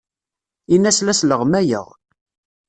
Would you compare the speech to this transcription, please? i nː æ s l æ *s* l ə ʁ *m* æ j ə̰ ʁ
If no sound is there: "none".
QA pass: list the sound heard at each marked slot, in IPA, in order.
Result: s, m

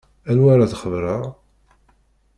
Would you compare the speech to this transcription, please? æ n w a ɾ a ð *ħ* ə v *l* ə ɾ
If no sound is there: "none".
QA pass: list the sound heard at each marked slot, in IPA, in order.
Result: χ, ɾ

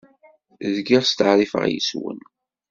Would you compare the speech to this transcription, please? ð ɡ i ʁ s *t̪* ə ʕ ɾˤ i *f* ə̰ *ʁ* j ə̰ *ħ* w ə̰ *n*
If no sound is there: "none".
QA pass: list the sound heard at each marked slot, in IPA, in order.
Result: t̪, f, ʁ, s, n

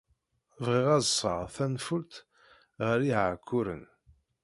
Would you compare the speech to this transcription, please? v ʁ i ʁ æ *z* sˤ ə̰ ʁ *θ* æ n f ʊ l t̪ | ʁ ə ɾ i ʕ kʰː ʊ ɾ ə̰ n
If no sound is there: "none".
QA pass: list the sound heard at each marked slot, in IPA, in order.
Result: z, θ

